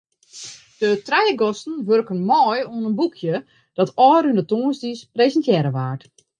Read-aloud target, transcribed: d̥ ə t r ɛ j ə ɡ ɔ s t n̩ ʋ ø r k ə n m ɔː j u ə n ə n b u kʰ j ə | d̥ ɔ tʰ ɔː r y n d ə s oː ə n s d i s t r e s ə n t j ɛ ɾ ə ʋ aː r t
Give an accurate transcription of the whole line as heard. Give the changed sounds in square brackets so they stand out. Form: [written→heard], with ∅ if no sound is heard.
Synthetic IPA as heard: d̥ ə t r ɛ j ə ɡ ɔ s t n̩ ʋ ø r k ə n m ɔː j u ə n ə n b u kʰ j ə | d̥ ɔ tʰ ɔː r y n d ə [s→t] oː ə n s d i s [t→p] r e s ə n t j ɛ ɾ ə ʋ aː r t